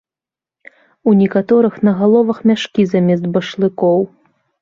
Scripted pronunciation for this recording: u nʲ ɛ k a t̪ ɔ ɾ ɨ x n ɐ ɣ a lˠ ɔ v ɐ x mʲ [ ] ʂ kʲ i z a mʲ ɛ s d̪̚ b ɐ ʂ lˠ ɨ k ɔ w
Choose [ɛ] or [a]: a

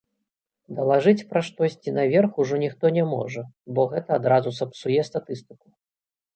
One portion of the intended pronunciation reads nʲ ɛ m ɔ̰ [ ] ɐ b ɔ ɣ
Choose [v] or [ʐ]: ʐ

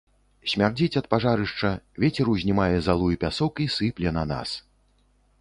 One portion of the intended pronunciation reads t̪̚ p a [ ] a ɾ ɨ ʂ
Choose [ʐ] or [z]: ʐ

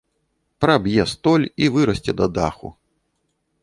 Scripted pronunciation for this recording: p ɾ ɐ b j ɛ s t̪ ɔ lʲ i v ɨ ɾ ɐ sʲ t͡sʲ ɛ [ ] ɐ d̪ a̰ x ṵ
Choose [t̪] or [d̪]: d̪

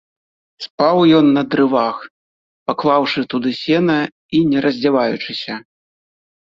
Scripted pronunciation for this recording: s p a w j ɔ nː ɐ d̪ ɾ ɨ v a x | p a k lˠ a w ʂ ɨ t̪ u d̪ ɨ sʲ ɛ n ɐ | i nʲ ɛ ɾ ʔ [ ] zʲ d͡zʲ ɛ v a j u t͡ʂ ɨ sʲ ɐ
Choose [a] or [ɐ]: ɐ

